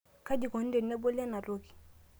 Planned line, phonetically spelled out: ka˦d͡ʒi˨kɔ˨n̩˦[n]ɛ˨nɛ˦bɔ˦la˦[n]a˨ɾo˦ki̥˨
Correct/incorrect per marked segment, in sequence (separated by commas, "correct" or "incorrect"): incorrect, correct